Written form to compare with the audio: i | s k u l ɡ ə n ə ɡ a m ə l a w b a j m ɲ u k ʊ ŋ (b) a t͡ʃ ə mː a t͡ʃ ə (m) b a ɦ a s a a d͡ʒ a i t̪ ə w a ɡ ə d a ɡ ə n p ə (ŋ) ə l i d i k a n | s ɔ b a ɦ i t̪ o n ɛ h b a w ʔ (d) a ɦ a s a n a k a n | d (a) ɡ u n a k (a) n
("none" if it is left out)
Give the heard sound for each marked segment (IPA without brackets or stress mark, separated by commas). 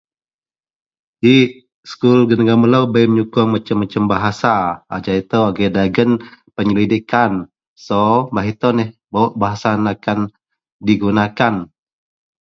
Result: m, m, ɲ, b, i, a